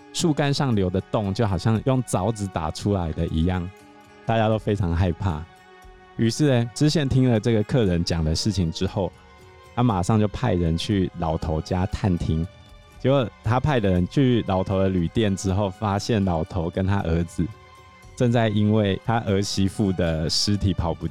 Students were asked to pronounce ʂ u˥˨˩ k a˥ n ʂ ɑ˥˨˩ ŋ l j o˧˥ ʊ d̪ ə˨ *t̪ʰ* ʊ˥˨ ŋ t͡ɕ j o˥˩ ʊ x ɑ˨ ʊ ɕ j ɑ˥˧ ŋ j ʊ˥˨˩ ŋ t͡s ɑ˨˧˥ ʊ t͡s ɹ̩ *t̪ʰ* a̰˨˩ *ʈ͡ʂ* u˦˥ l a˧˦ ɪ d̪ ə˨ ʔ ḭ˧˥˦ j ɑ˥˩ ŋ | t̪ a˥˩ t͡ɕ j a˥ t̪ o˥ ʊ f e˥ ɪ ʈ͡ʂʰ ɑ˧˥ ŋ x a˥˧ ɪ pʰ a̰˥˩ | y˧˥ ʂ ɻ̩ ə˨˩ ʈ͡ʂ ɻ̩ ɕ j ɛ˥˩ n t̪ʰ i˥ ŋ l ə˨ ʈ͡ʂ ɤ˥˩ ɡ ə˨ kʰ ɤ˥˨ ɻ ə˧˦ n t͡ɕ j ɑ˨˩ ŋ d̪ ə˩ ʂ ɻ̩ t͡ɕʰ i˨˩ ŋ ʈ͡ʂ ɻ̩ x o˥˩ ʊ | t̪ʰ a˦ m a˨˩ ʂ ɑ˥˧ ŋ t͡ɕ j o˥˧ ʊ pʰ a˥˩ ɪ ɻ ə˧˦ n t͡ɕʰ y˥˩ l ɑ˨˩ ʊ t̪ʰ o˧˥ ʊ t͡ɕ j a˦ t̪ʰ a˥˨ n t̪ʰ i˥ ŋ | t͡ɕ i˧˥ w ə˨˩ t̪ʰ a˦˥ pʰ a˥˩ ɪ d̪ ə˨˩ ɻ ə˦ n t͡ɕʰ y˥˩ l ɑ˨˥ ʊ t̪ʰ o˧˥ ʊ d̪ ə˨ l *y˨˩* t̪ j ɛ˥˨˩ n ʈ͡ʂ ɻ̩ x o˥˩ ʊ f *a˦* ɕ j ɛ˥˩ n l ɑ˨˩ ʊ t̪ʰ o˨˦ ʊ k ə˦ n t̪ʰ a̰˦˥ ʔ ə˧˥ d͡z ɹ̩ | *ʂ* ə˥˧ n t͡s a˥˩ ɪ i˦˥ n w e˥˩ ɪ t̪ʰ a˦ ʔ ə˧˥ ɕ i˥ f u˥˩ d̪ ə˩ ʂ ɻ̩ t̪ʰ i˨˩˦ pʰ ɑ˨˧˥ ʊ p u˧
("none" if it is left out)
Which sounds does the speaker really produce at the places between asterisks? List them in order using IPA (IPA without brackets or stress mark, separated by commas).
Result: t̪, t̪, ʈ͡ʂʰ, y˨˩, a˦, ʈ͡ʂ